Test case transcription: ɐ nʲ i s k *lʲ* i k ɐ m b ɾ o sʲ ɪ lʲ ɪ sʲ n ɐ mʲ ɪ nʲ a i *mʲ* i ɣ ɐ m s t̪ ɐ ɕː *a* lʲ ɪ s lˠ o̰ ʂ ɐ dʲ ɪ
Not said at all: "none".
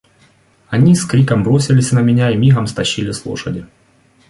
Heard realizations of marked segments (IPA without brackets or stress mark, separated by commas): ɾʲ, mʲ, i